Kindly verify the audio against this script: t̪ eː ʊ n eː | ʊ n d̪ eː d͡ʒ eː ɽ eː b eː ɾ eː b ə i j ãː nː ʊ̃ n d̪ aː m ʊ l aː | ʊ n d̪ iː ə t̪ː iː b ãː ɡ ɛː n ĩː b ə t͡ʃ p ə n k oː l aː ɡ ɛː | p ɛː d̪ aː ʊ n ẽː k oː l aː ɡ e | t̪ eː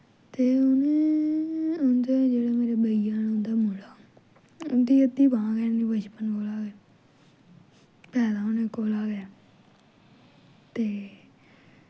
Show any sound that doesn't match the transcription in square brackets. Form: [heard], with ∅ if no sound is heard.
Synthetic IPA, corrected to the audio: t̪ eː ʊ n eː | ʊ n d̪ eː d͡ʒ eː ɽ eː [m] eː ɾ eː b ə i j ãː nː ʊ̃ n d̪ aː m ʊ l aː | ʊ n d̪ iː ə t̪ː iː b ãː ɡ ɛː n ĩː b ə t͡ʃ p ə n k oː l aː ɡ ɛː | p ɛː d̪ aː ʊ n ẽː k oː l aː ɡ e | t̪ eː